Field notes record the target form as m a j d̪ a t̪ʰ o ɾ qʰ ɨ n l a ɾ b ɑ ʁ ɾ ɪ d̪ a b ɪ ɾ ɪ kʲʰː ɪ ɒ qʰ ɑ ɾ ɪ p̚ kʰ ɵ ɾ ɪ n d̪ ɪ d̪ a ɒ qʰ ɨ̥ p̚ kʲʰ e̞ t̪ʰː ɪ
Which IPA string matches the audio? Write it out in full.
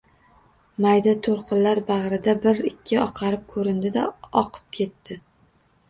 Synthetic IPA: m a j d̪ a t̪ʰ o ɾ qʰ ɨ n l a ɾ b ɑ ʁ ɾ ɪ d̪ a b ɪ ɾ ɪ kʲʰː ɪ ɒ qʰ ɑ ɾ ɪ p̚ kʰ ɵ ɾ ɪ n d̪ ɪ d̪ a ɒ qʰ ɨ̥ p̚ kʲʰ e̞ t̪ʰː ɪ

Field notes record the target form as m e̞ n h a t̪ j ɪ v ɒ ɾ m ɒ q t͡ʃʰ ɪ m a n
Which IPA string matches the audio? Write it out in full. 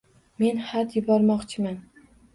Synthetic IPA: m e̞ n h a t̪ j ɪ b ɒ ɾ m ɒ q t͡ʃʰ ɪ m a n

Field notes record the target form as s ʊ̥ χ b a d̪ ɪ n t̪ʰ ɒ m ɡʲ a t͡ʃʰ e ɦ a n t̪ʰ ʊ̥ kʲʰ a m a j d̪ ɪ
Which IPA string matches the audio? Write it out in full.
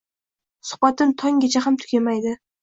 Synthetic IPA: s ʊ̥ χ b a t̪ ɪ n t̪ʰ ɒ ŋ ɡʲ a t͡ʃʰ a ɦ a m t̪ʰ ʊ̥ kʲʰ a m a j d̪ ɪ

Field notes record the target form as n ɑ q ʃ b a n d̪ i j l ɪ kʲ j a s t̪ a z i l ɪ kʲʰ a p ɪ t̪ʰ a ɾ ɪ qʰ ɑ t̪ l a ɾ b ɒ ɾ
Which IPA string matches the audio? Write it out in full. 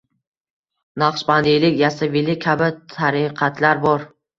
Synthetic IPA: n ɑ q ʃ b a n d̪ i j l ɪ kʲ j a s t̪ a v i l ɪ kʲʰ a b ɪ t̪ʰ a ɾ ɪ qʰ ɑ t̪ l a ɾ b ɒ ɾ

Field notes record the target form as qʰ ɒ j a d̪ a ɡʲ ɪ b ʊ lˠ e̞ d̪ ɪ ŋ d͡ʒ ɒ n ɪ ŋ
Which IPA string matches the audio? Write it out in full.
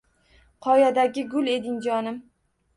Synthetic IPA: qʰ ɒ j a d̪ a ɡʲ ɪ ɡ ʊ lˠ e̞ d̪ ɪ ŋ d͡ʒ ɒ n ɪ m

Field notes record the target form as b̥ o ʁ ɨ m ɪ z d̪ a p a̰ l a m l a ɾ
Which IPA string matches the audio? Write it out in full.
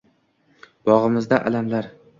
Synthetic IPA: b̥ ɒ ʁ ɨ m ɪ z d̪ a ʔ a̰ l a m l a ɾ

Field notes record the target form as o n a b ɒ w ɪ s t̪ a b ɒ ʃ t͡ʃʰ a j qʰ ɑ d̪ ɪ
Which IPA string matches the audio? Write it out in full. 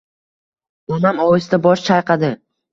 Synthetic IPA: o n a m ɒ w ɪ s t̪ a b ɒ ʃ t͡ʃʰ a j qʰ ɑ d̪ ɪ

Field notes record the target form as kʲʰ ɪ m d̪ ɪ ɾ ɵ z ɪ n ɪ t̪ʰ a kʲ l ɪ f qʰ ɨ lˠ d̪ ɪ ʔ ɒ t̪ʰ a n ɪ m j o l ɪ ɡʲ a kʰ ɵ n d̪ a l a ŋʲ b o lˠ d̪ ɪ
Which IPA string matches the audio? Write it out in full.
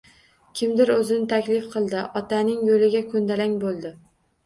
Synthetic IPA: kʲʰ ɪ m d̪ ɪ ɾ ɵ z ɪ n ɪ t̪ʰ a kʲ l ɪ f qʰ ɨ lˠ d̪ ɪ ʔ ɒ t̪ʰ a n ɪ ŋ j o l ɪ ɡʲ a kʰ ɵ n d̪ a l a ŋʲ b o lˠ d̪ ɪ

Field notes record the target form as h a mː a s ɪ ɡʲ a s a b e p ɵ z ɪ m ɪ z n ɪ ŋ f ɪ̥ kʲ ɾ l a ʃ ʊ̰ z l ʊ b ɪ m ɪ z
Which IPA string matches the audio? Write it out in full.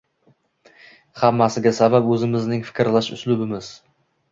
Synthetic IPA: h a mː a s ɪ ɡʲ a s a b a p ɵ z ɪ m ɪ z n ɪ ŋ f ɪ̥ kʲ ɾ l a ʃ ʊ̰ s l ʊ b ɪ m ɪ z

